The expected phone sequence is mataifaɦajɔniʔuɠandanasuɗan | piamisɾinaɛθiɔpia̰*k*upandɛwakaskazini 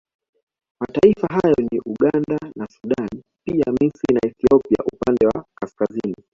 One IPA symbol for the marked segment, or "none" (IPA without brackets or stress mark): ʔ